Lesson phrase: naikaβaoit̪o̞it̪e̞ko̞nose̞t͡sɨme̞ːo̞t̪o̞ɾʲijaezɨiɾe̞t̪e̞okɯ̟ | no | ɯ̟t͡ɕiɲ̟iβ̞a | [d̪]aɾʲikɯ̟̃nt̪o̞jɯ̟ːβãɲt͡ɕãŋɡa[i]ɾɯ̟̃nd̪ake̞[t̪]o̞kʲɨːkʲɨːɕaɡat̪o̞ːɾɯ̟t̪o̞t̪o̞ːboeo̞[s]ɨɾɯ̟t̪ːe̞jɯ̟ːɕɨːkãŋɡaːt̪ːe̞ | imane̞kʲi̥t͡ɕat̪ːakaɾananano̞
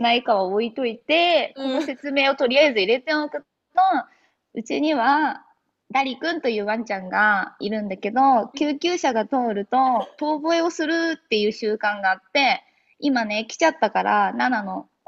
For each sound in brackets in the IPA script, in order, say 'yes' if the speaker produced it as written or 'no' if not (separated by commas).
yes, yes, no, yes